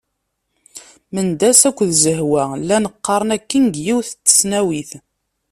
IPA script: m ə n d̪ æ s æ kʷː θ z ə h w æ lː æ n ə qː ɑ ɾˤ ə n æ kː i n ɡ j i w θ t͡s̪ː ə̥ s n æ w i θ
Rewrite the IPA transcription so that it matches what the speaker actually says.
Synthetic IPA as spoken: m ə n d̪ æ s æ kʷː ð z ə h w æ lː æ n ə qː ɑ ɾˤ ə n æ kː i n ɡ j i w θ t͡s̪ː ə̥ s n æ w i θ